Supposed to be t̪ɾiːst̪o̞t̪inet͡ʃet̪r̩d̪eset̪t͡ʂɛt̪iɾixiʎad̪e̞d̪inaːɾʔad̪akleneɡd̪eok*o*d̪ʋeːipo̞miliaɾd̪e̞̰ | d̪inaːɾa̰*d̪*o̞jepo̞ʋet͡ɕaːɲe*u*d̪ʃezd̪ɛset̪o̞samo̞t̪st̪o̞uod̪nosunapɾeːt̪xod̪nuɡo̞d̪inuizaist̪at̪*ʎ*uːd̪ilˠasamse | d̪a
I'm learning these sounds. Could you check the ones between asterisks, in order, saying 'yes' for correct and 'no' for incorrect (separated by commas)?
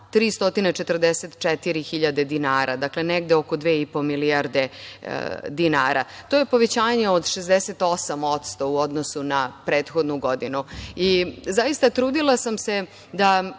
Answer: yes, no, no, no